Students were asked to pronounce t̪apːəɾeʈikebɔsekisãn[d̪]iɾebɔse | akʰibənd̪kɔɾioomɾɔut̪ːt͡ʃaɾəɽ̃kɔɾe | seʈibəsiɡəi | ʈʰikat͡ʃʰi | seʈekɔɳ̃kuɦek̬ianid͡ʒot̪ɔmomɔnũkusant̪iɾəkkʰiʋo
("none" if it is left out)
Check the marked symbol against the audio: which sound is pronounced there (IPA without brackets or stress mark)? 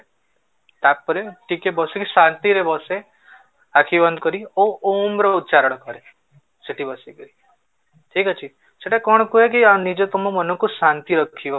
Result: t̪